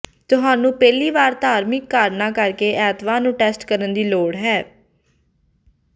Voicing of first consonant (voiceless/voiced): voiceless